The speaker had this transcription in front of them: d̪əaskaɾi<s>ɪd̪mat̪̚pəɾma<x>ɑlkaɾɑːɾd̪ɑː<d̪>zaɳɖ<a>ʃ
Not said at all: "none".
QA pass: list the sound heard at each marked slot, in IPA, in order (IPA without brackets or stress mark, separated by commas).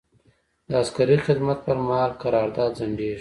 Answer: x, h, d̪, e